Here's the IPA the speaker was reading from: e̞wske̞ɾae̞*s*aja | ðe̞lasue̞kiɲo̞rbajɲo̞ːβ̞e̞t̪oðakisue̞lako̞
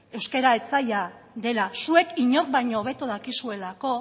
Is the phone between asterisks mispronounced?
yes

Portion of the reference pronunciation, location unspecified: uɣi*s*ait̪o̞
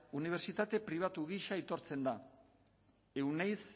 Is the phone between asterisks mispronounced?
yes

